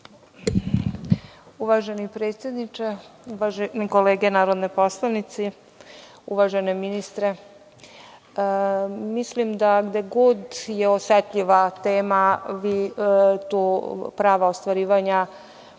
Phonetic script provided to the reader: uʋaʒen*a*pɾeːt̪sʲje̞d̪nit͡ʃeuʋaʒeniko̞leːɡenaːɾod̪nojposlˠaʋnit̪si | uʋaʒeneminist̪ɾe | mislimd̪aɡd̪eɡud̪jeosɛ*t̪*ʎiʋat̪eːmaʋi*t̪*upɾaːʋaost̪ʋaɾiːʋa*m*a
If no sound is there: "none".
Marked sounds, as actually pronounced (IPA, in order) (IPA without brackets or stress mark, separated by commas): i, t̪, t̪, ɲ